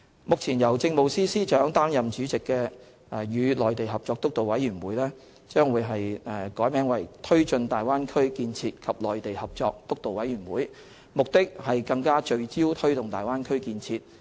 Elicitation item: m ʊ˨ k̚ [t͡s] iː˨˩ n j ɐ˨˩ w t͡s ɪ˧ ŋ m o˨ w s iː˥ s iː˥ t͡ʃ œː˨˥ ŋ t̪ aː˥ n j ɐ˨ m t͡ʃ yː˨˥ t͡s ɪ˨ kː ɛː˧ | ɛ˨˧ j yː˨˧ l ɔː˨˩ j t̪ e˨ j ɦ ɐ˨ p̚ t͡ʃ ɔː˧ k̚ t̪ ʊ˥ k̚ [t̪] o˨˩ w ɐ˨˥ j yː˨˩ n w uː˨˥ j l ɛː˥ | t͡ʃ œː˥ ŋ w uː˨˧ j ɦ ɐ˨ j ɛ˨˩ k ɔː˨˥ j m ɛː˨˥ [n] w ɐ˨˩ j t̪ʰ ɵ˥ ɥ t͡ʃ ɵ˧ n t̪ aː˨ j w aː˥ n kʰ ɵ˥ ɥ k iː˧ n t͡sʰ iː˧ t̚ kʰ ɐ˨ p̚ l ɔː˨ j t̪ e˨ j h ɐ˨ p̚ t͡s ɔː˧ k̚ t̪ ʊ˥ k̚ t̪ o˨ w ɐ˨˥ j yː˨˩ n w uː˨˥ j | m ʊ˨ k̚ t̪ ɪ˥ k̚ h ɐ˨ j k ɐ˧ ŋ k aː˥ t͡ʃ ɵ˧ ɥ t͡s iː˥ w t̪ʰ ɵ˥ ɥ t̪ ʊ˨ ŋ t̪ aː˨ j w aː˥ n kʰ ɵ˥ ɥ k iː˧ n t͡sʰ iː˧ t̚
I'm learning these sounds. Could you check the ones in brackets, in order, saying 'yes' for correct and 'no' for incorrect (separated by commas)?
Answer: no, yes, no